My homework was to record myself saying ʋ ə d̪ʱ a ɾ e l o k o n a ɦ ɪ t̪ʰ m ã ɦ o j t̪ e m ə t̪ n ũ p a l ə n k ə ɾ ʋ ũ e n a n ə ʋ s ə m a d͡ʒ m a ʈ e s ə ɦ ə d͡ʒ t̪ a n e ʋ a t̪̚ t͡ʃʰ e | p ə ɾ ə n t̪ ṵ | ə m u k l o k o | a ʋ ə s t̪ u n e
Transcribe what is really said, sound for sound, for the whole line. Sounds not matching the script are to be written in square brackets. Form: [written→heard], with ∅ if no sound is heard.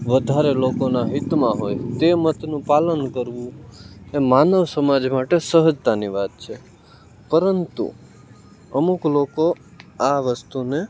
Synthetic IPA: ʋ ə d̪ʱ a ɾ e l o k o n a ɦ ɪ [t̪ʰ→t̪] m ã ɦ o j t̪ e m ə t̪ n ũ p a l ə n k ə ɾ ʋ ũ e [n→m] a n ə ʋ s ə m a d͡ʒ m a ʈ e s ə ɦ ə d͡ʒ t̪ a n [e→i] ʋ a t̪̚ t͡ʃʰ e | p ə ɾ ə n t̪ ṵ | ə m u k l o k o | a ʋ ə s t̪ u n e